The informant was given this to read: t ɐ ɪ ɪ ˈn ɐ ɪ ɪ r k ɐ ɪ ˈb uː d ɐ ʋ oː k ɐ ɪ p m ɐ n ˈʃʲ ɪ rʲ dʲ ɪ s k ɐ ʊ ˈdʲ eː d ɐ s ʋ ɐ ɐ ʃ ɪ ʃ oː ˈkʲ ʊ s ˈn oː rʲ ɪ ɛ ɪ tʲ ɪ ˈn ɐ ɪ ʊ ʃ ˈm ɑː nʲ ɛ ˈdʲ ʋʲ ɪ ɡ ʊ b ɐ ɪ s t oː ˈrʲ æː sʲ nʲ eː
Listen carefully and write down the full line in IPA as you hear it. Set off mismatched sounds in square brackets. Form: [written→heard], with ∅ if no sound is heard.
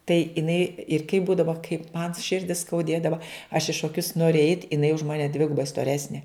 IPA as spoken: t ɐ ɪ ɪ ˈn ɐ ɪ ɪ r k ɐ ɪ ˈb uː d ɐ ʋ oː k ɐ ɪ p m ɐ n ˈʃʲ ɪ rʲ dʲ ɪ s k ɐ ʊ ˈdʲ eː d ɐ [s→∅] ʋ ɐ ɐ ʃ ɪ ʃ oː ˈkʲ ʊ s ˈn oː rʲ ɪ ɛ ɪ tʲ ɪ ˈn ɐ ɪ ʊ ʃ ˈm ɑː nʲ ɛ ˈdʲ ʋʲ ɪ ɡ ʊ b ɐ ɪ s t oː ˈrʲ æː sʲ nʲ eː